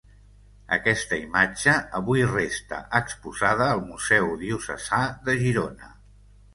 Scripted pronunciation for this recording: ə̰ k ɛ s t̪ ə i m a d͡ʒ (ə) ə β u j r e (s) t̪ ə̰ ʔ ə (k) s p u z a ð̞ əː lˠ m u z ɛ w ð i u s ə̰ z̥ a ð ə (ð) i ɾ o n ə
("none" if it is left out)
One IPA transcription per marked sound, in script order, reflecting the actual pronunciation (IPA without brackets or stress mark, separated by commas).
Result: ə, s, k, ʒ